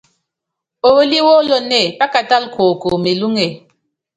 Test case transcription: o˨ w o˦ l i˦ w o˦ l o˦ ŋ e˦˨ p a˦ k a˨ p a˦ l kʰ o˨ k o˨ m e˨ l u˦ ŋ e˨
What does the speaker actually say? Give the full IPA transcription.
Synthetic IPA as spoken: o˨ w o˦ l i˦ w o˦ l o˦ n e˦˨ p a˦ k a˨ t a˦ l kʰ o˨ k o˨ m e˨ l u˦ ŋ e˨